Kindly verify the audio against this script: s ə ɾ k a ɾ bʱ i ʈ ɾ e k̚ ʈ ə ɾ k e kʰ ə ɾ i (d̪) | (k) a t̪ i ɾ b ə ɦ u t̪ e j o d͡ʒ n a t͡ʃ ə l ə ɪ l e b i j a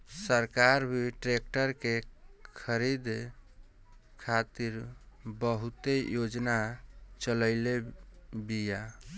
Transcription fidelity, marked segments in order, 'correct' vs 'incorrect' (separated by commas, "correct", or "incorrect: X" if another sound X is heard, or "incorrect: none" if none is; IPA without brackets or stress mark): correct, incorrect: kʰ